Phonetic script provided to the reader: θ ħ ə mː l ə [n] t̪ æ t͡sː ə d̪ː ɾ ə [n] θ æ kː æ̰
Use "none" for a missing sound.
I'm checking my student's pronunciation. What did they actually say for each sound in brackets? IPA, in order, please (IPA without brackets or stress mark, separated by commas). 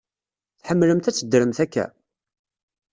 m, m